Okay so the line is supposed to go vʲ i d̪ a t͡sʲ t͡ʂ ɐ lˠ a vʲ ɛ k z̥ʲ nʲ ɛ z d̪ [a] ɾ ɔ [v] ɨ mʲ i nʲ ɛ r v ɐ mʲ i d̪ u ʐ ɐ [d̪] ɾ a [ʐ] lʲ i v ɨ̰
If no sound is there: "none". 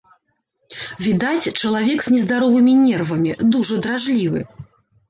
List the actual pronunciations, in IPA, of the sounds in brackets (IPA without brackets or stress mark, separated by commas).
a, v, d̪, ʐ